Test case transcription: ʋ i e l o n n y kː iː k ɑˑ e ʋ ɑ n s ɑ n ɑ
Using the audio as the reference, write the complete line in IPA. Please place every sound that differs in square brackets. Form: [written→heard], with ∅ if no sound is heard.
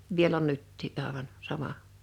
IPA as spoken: ʋ i e l o n n y [kː→tː] iː [k→ʔ] ɑˑ e ʋ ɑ n s ɑ [n→m] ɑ